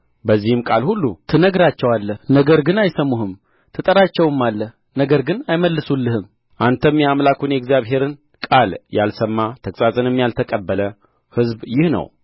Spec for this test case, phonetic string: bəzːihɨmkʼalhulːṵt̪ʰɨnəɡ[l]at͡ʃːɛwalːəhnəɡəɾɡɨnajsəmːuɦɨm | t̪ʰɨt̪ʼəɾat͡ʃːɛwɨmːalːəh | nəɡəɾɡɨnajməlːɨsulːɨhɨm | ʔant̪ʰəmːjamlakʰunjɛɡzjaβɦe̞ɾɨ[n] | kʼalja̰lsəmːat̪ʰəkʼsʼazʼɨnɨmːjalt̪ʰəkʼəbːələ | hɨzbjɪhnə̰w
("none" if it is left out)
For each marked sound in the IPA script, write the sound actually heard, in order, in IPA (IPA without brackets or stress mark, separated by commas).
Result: ɾ, n